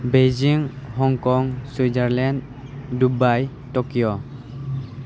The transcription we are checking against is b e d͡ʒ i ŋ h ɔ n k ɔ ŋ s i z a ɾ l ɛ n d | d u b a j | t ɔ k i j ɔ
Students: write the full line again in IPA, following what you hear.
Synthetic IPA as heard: b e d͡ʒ i ŋ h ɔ ŋ k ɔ ŋ s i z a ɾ l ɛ n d | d u b a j | t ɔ k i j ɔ